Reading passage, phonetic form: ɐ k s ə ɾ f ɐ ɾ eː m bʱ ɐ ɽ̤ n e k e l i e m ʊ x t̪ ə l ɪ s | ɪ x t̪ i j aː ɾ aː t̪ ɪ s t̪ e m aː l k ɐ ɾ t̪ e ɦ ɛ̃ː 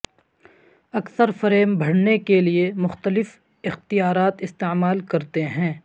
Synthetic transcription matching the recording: ɐ k s ə ɾ f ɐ ɾ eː m bʱ ɐ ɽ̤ n e k e l i e m ʊ x t̪ ə l ɪ f | ɪ x t̪ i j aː ɾ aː t̪ ɪ s t̪ e m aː l k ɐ ɾ t̪ e ɦ ɛ̃ː